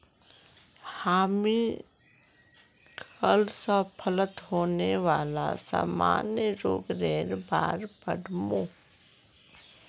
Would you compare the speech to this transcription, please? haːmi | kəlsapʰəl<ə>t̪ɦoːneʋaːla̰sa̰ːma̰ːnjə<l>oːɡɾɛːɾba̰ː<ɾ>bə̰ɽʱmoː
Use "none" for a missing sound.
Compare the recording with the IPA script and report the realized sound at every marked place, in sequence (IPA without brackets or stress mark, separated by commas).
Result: ə, ɾ, ɾ